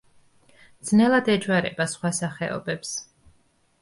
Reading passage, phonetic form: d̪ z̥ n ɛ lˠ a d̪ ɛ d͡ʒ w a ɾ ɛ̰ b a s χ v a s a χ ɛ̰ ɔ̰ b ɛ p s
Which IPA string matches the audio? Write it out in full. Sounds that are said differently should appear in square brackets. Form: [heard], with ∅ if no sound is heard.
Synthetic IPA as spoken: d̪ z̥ n ɛ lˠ a d̪ ɛ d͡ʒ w a ɾ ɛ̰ b a s χ [w] a s a χ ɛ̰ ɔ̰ b ɛ p s